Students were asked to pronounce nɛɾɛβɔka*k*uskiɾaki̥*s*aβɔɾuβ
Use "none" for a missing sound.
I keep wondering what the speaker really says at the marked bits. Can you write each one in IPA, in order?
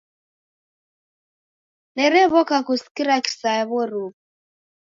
k, s

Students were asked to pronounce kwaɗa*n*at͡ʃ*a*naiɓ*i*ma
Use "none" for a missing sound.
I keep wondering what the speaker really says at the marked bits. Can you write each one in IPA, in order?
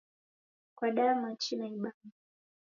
m, i, a

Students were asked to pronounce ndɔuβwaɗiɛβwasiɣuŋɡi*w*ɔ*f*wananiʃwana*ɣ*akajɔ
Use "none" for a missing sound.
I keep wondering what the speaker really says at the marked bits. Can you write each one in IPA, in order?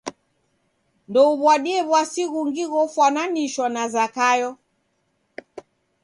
ɣ, f, z

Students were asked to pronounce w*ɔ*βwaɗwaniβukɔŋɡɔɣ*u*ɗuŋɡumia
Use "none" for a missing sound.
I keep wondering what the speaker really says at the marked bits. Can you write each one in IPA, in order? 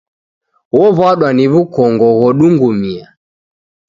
ɔ, ɔ

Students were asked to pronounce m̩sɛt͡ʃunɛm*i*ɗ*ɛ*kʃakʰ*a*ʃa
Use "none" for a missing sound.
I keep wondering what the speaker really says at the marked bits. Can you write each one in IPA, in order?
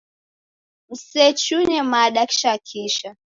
a, a, i

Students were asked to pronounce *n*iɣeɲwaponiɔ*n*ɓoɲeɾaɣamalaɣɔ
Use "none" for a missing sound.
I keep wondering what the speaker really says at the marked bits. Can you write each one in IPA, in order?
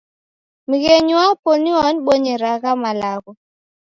m, n

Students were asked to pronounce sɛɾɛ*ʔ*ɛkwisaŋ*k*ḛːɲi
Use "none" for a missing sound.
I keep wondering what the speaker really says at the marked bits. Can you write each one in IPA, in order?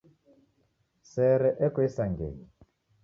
ʔ, ɡ

